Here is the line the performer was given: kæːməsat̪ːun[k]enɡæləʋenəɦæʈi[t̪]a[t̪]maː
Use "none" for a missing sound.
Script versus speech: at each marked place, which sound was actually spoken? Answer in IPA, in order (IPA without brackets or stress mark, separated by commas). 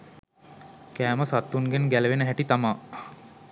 ɡ, t̪, none